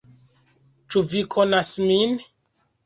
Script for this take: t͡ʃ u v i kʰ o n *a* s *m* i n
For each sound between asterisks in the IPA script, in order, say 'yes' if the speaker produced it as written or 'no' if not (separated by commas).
yes, yes